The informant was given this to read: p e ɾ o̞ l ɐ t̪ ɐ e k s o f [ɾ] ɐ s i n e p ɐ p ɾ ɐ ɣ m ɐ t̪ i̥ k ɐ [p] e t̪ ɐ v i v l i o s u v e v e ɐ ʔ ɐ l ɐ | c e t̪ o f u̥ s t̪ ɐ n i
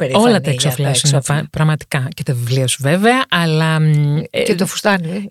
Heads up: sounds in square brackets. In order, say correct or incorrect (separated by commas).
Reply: incorrect, incorrect